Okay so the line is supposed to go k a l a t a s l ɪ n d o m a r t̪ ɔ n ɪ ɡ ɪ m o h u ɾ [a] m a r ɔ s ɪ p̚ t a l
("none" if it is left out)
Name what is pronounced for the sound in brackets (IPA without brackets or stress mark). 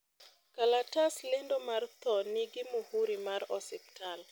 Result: i